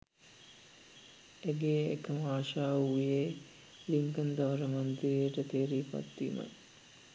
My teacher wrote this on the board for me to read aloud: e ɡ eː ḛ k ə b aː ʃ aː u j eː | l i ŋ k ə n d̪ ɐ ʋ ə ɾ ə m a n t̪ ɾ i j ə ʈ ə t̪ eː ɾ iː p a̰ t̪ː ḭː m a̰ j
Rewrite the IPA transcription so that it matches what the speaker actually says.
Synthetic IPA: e ɡ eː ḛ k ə m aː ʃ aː u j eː | l i ŋ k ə n d̪ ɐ ʋ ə ɾ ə m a n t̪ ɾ i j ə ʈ ə t̪ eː ɾ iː p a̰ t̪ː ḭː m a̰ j